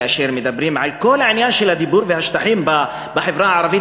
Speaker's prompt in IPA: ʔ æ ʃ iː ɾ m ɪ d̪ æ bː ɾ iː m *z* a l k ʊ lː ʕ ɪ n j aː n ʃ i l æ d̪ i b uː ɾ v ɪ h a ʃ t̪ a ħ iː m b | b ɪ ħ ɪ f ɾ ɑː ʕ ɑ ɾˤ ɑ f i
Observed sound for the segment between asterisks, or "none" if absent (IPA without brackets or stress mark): ʕ